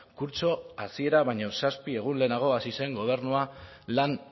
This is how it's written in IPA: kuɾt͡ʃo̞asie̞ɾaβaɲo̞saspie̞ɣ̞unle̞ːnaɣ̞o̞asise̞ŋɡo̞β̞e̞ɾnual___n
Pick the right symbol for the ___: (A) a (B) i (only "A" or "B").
A